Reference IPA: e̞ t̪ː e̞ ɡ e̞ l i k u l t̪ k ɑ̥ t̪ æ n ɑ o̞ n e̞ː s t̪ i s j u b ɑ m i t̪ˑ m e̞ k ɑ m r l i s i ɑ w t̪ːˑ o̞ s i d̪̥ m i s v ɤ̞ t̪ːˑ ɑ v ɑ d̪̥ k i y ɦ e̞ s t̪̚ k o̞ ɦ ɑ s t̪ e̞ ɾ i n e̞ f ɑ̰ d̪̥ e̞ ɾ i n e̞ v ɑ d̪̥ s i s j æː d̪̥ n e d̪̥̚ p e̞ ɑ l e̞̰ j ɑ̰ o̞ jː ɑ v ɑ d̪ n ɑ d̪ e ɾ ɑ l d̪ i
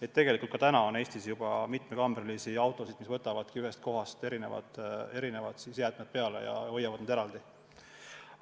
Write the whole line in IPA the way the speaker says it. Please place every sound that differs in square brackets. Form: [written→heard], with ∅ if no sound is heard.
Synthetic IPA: e̞ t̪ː e̞ ɡ e̞ l i k u l t̪ k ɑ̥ t̪ æ n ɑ o̞ n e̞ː s t̪ i s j u b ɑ m i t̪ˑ m e̞ k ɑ m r l i s i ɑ w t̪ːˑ o̞ s i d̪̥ m i s v ɤ̞ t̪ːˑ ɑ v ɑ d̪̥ k i y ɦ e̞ s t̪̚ k o̞ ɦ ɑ s t̪ e̞ ɾ i n e̞ [f→v] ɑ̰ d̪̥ e̞ ɾ i n e̞ v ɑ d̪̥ s i s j æː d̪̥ [n→m] e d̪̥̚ p e̞ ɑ l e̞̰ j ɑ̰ o̞ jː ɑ v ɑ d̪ n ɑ d̪ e ɾ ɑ l d̪ i

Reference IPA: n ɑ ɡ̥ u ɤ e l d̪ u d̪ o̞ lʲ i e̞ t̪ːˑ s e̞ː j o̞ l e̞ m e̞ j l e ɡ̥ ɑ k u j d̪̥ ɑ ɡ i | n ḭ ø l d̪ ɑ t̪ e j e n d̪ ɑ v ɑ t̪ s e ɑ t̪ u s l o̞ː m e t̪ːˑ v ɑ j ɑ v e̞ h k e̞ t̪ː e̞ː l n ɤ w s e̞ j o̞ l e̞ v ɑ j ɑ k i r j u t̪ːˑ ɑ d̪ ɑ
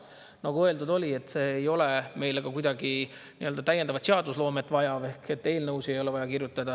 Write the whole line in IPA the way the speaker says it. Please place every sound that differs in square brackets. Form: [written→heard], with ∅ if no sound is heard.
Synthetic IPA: n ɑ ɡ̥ u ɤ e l d̪ u d̪ o̞ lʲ i e̞ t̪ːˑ s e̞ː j o̞ l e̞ m e̞ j l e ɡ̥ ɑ k u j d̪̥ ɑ ɡ i | n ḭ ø l d̪ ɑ t̪ [e→æ] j e n d̪ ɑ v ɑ t̪ s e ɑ [t̪→d̪] u s l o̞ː m e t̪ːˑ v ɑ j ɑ v e̞ h k e̞ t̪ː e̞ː l n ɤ w s e̞ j o̞ l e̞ v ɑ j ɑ k i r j u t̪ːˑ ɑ d̪ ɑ

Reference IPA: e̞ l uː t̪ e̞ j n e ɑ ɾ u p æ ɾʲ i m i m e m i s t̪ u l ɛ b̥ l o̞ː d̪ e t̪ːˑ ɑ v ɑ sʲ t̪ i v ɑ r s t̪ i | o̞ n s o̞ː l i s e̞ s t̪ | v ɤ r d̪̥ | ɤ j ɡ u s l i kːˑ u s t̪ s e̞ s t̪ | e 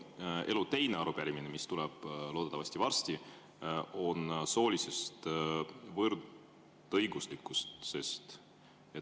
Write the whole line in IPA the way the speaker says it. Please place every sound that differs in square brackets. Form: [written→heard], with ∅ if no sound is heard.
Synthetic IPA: e̞ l [uː→u] t̪ e̞ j n e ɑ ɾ u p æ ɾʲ i m i [m→n] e m i s t̪ u l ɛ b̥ l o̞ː d̪ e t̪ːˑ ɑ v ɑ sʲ t̪ i v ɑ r s t̪ i | o̞ n s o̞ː l i s e̞ s t̪ | v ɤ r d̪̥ | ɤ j ɡ u s l i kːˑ u s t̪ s e̞ s t̪ | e

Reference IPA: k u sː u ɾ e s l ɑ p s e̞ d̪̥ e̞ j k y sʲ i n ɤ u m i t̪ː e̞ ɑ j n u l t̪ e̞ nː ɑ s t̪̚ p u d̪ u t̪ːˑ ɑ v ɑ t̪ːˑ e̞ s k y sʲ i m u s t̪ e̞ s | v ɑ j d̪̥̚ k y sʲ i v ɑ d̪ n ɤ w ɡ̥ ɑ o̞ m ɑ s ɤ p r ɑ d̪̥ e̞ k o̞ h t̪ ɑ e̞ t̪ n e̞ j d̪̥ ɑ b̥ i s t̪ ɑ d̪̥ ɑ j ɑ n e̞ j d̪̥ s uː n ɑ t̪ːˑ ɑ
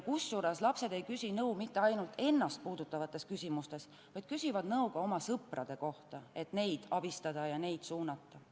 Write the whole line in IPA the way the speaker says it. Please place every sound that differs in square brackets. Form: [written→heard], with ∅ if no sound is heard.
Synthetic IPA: k u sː u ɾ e s l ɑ p s e̞ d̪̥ e̞ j k y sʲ i n ɤ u m i t̪ː e̞ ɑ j n u l t̪ e̞ nː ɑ s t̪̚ p [u→uː] d̪ u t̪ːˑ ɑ v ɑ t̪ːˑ e̞ s k y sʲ i m u s t̪ e̞ s | v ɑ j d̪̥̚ k y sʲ i v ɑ d̪ n ɤ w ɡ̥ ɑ o̞ m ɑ s ɤ p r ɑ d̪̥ e̞ k o̞ h t̪ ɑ e̞ t̪ n e̞ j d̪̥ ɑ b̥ i s t̪ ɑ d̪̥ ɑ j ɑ n e̞ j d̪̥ s uː n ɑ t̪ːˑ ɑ

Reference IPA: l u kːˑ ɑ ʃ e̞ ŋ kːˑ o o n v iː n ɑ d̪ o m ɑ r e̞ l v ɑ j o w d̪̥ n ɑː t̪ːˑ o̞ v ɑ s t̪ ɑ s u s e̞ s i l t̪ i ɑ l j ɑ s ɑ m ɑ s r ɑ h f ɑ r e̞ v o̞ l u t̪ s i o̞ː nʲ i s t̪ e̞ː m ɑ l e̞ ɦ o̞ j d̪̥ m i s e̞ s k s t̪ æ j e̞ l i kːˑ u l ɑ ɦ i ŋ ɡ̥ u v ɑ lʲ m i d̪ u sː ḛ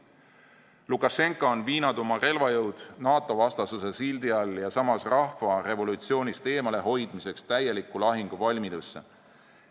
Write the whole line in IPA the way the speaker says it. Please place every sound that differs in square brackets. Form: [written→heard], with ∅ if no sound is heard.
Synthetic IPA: l u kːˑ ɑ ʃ e̞ ŋ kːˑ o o n v iː n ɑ d̪ o m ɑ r e̞ l v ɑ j [o→ɤ] w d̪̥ n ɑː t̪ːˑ o̞ v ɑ s t̪ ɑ s u s e̞ s i l [t̪→d̪] i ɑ l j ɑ s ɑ m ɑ s r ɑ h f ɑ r e̞ v o̞ l u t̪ s i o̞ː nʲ i s t̪ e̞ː m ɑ l e̞ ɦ o̞ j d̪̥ m i s e̞ [s→∅] k s t̪ æ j e̞ l i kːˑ u l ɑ ɦ i ŋ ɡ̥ u v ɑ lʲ m i d̪ u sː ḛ

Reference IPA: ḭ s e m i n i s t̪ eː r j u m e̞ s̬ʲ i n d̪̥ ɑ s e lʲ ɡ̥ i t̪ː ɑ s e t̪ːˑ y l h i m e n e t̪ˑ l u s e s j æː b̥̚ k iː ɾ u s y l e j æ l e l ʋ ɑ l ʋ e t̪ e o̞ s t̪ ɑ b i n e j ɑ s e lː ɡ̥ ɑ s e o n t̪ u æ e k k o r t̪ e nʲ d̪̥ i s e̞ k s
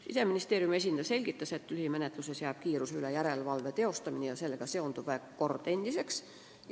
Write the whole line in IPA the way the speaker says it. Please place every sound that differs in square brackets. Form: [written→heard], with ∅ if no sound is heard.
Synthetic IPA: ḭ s e m i n i s t̪ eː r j u m e̞ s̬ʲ i n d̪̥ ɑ s e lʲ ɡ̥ i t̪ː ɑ s e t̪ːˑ y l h i m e n e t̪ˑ l u s e s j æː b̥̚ k iː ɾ u s y l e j æ [l→ɾ] e l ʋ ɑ l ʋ e t̪ e o̞ s t̪ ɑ [b→m] i n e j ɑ s e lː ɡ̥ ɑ s e o n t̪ u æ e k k o r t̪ e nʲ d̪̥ i s e̞ k s

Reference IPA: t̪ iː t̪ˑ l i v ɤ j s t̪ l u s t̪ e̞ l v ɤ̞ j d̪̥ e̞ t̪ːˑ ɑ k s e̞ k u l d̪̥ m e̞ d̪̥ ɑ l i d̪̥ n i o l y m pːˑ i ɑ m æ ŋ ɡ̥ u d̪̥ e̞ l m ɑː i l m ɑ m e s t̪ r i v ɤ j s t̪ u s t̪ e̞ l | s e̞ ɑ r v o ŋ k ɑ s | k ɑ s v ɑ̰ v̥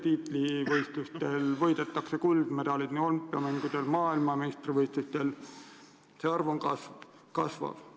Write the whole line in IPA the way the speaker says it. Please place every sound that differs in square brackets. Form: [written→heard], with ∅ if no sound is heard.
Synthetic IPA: t̪ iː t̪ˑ l i v ɤ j s t̪ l u s t̪ e̞ l v ɤ̞ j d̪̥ e̞ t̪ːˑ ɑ k s e̞ k u l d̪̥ m e̞ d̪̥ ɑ l i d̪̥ n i o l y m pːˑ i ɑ m æ ŋ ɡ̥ u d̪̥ e̞ l m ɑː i l m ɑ m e s t̪ r i v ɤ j s t̪ u s t̪ e̞ l | s e̞ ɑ r v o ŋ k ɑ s | k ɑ s v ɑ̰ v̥

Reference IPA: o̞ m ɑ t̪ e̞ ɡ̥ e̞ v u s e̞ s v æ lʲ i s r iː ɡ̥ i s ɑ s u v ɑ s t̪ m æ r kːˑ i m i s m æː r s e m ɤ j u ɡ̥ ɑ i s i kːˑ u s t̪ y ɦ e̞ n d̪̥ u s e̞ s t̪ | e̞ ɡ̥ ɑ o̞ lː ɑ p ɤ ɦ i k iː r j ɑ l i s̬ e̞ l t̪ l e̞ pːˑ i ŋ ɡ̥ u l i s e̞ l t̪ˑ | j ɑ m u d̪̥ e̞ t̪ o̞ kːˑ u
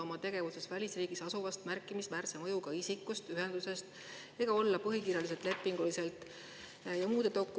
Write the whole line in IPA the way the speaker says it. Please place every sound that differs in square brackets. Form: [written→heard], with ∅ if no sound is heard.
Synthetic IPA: o̞ m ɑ t̪ e̞ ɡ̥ e̞ v u s e̞ s v æ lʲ i s r iː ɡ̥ i s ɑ s u v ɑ s t̪ m æ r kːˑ i m i s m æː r s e m ɤ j u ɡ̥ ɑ i s i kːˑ u s t̪ y ɦ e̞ n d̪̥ u s e̞ s t̪ | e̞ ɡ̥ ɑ o̞ lː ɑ p ɤ ɦ i k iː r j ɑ l i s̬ e̞ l t̪ l e̞ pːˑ i ŋ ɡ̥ u l i s e̞ l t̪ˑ | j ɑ m [u→uː] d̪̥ e̞ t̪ o̞ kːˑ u

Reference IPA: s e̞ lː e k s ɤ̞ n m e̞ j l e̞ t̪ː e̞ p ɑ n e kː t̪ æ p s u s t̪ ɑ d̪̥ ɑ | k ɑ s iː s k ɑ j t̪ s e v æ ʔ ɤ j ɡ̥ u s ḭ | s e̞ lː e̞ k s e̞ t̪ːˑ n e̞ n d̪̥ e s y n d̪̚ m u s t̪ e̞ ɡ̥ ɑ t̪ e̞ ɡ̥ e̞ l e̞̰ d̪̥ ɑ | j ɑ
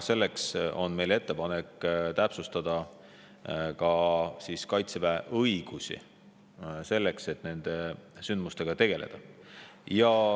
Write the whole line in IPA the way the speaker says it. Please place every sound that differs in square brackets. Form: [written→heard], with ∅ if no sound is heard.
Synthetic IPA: s e̞ lː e k s [ɤ̞→o̞] n m e̞ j l e̞ t̪ː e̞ p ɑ n e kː t̪ æ p s u s t̪ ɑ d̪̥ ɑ | k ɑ s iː s k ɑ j t̪ s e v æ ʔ ɤ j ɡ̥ u s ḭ | s e̞ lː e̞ k s e̞ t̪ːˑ n e̞ n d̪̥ e s y n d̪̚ m u s t̪ e̞ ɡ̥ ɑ t̪ e̞ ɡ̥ e̞ l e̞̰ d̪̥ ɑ | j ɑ

